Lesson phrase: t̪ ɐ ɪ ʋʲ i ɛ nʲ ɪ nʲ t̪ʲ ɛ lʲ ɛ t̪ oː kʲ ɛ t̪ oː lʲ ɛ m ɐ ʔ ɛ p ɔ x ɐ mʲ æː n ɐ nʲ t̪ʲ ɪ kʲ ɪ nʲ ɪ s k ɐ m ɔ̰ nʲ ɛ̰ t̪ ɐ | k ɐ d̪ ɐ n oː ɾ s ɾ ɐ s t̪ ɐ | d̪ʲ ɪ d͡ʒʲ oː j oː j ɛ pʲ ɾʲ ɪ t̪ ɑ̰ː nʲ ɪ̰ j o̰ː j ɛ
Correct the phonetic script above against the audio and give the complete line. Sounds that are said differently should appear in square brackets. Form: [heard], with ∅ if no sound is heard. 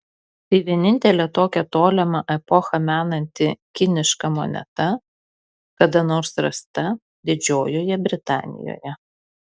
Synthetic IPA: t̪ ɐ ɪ ʋʲ i ɛ nʲ ɪ nʲ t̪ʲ ɛ lʲ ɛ t̪ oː kʲ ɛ t̪ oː lʲ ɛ m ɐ ʔ ɛ p ɔ x ɐ mʲ æː n ɐ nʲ t̪ʲ ɪ kʲ ɪ nʲ ɪ [ʃ] k ɐ m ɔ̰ nʲ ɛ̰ t̪ ɐ | k ɐ d̪ ɐ n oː ɾ s ɾ ɐ s t̪ ɐ | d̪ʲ ɪ d͡ʒʲ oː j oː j ɛ [bʲ] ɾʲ ɪ t̪ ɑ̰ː nʲ ɪ̰ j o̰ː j ɛ